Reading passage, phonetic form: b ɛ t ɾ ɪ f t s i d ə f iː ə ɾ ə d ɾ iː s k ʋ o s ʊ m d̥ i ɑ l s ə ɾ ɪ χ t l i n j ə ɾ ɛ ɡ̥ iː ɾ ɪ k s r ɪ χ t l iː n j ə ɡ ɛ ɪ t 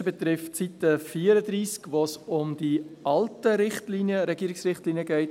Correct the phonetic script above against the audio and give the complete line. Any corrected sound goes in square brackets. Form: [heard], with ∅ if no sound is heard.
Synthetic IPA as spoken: b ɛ t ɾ ɪ f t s i [t] ə f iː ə ɾ ə d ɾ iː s k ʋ o s ʊ m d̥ i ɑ l [t] ə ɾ ɪ χ t l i n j ə ɾ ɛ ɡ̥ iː ɾ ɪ k s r ɪ χ t l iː n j ə ɡ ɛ ɪ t